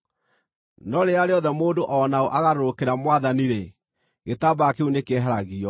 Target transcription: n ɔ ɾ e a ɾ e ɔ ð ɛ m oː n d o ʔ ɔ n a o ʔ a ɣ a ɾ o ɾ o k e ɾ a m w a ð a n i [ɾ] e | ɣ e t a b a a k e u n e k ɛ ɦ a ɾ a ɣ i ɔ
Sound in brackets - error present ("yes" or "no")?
no